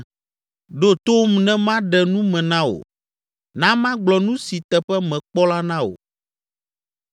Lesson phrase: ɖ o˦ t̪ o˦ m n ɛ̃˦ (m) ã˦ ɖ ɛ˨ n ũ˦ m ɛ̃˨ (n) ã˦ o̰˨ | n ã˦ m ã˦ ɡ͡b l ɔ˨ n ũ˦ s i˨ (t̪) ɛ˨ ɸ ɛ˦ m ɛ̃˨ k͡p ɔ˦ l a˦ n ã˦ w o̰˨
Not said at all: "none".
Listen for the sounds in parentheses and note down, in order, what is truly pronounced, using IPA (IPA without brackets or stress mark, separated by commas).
m, n, t̪